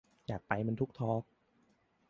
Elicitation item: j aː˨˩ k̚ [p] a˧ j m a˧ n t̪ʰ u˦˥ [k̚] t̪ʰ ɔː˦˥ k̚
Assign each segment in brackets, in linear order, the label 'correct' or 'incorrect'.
correct, correct

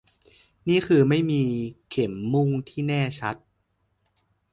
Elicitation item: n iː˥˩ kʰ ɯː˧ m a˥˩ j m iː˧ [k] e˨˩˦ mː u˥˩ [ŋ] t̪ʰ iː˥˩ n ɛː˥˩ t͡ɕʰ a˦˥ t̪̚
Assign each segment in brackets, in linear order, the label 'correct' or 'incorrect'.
incorrect, correct

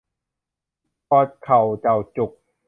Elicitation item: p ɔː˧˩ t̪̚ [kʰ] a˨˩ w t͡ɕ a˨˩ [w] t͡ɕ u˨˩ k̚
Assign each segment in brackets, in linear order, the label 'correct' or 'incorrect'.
correct, correct

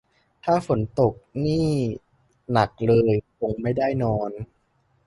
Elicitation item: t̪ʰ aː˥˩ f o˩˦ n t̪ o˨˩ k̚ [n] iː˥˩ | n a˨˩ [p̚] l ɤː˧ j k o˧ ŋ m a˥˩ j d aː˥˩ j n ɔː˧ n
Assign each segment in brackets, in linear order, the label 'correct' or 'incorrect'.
correct, incorrect

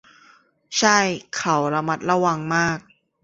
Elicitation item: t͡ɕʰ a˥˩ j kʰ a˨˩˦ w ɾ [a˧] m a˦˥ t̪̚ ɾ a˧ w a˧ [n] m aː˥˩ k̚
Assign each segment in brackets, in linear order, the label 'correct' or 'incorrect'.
correct, incorrect

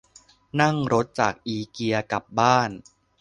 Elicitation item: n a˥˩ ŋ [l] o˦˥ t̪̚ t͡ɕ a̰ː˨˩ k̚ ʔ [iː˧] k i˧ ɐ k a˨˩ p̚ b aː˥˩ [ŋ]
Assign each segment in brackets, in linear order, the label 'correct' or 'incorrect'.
incorrect, correct, incorrect

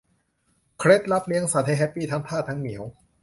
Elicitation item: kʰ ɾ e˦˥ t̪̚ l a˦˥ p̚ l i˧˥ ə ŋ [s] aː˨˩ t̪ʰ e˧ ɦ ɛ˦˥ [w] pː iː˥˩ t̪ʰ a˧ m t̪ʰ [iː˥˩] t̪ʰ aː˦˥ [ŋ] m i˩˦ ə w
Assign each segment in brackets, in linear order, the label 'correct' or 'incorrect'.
correct, incorrect, incorrect, correct

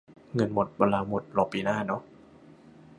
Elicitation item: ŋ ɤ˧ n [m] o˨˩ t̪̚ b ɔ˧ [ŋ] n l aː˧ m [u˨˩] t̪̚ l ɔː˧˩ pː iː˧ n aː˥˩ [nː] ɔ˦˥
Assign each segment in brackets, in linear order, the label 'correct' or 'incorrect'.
correct, incorrect, incorrect, incorrect

